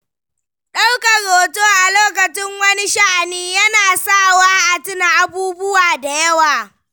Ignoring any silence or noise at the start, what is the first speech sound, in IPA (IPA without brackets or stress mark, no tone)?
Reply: ɗ